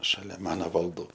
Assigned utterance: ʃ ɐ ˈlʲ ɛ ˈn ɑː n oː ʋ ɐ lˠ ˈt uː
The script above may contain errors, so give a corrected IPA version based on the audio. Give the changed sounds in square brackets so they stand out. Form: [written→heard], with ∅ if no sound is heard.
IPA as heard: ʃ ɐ ˈlʲ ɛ [ˈn→ˈm] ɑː n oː ʋ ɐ lˠ [ˈt→ˈd] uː